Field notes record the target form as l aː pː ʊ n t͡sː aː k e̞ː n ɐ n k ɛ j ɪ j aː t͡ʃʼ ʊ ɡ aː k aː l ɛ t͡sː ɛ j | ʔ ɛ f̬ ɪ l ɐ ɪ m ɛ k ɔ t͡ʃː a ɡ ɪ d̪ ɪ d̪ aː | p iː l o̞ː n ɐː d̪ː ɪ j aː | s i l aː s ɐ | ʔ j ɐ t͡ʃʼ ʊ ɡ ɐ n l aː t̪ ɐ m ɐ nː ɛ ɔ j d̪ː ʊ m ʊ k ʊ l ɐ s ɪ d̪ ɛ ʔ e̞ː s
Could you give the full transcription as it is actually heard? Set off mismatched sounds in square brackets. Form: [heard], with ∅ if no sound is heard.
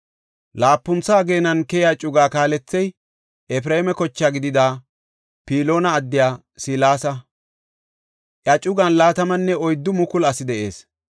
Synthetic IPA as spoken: l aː pː ʊ n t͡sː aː [ɡ] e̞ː n ɐ n k ɛ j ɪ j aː t͡ʃʼ ʊ ɡ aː k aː l ɛ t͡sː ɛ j | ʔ ɛ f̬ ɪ [ɾ] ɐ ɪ m ɛ k ɔ t͡ʃː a ɡ ɪ d̪ ɪ d̪ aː | p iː l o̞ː n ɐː d̪ː ɪ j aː | s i l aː s ɐ | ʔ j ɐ t͡ʃʼ ʊ ɡ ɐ n l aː t̪ ɐ m ɐ nː ɛ ɔ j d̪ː ʊ m ʊ k ʊ l ɐ s ɪ d̪ ɛ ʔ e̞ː s